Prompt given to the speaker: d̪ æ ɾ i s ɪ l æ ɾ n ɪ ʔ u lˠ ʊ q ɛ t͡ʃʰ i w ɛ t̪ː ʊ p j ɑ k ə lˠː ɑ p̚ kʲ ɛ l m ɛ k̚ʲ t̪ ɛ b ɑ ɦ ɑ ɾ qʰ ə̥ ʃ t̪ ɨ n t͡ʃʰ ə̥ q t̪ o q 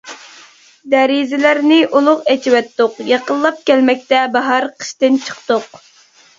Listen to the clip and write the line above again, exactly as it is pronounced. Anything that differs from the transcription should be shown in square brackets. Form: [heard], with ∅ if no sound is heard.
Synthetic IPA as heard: d̪ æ ɾ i [z] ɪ l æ ɾ n ɪ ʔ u lˠ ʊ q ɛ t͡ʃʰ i w ɛ t̪ː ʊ [q] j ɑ [q] ə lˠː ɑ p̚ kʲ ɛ l m ɛ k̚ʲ t̪ ɛ b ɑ ɦ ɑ ɾ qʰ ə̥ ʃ t̪ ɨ n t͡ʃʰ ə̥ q t̪ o q